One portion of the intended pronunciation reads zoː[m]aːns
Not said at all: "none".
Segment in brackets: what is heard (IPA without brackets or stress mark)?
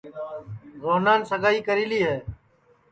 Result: n